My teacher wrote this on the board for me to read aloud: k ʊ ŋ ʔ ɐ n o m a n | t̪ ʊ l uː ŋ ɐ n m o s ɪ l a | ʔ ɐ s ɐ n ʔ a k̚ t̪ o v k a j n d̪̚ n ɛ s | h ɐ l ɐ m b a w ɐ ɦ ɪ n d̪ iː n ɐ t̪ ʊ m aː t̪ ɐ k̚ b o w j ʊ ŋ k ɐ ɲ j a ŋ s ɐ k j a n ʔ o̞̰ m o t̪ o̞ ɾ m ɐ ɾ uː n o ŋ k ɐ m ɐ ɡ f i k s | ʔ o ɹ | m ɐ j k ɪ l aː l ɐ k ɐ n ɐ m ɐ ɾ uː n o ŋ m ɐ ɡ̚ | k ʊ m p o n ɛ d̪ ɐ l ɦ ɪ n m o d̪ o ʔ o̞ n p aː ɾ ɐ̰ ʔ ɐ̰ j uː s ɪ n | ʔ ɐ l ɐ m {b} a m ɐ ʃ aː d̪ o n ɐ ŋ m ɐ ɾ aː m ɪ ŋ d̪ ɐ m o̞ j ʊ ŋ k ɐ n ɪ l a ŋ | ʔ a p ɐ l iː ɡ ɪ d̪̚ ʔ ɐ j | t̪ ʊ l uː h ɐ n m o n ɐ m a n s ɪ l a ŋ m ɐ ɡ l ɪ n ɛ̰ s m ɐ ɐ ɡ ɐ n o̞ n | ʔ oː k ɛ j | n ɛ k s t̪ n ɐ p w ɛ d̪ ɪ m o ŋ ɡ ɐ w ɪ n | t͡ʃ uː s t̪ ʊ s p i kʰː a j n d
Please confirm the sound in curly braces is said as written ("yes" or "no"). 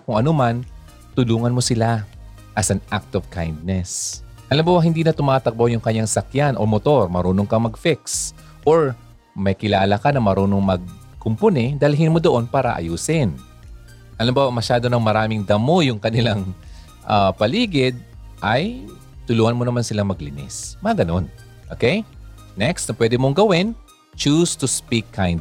yes